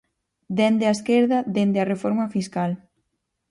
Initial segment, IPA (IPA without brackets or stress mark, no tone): d̪